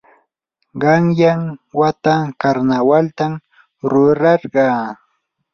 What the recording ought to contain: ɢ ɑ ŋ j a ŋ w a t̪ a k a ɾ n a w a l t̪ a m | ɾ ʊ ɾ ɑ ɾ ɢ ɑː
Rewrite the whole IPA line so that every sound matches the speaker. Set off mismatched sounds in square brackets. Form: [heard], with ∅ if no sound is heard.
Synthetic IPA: ɢ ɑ ŋ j a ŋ w a t̪ a k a ɾ n a w a l t̪ a m | ɾ ʊ ɾ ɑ ɾ ɢ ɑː